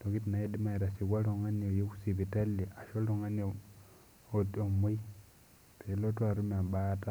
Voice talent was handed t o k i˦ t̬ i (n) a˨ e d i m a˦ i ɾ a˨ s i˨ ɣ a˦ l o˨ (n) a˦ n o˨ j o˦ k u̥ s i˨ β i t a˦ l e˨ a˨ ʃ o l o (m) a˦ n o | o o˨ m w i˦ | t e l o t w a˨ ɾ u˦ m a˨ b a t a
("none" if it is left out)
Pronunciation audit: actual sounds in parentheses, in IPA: n, ŋ, ŋ

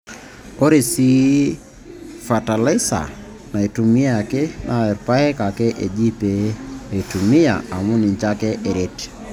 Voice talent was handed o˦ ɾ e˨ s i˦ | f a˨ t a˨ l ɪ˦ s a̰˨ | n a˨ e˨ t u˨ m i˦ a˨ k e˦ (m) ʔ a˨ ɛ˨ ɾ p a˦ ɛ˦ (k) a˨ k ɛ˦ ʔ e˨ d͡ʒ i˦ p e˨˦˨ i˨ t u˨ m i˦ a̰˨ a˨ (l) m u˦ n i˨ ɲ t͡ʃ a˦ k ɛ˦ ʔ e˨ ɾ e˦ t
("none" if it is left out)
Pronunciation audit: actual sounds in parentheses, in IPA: n, k, none

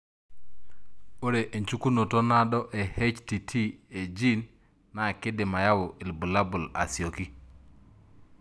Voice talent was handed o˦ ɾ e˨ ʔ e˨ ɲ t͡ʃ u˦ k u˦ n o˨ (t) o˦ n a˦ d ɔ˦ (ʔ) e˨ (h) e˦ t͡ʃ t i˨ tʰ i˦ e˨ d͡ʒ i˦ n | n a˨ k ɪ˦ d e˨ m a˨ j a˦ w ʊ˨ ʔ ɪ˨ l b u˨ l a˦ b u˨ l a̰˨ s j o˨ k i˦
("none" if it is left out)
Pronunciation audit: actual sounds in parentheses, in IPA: t, ʔ, h

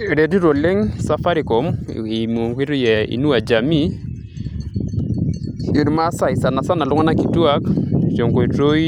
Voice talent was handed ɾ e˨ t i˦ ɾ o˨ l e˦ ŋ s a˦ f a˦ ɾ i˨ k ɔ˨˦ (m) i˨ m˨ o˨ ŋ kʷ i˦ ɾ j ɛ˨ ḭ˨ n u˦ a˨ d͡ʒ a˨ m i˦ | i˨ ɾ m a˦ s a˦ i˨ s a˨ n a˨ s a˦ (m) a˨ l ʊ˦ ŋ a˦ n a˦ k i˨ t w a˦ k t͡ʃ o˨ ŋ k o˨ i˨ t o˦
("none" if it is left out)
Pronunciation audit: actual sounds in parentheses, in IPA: m, n

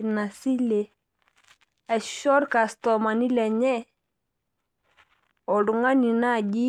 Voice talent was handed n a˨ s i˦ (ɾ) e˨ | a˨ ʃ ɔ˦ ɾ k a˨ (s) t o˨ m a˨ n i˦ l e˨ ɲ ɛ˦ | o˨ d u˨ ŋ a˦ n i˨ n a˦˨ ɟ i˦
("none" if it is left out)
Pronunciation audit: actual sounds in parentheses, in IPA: l, s

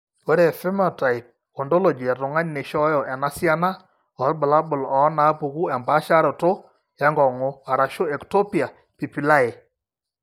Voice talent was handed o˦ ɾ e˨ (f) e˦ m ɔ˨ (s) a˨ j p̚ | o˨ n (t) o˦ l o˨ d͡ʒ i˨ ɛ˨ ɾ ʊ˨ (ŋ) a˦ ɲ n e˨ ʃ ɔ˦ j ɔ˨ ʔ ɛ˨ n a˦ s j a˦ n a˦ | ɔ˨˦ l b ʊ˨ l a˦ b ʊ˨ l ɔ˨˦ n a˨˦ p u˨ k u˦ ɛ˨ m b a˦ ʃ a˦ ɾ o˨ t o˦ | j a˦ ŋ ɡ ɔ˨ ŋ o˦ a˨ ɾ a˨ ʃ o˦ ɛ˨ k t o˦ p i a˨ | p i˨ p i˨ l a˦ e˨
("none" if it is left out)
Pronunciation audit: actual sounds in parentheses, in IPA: f, t, d, ŋ

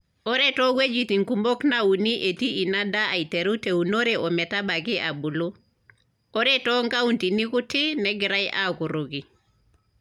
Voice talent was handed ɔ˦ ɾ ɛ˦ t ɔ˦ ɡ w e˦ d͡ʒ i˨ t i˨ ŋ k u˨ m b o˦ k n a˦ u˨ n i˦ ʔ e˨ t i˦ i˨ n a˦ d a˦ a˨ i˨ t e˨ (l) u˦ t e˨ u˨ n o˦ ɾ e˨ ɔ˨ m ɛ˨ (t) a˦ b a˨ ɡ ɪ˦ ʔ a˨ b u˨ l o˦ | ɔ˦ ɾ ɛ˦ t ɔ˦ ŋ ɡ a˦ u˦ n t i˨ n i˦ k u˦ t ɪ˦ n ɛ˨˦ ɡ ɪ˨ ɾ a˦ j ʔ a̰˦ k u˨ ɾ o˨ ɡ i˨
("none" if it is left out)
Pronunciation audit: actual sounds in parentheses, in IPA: ɾ, t

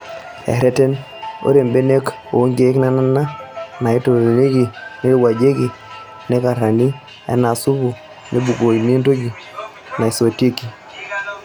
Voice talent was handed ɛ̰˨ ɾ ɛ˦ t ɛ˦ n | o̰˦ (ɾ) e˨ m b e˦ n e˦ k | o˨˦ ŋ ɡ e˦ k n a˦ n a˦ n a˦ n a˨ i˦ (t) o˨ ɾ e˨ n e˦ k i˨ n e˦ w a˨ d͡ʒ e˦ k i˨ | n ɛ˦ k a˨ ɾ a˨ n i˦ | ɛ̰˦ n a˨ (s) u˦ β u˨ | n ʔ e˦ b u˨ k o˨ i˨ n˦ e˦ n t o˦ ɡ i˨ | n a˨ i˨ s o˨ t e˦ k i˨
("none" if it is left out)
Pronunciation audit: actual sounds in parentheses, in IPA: ɾ, t, s

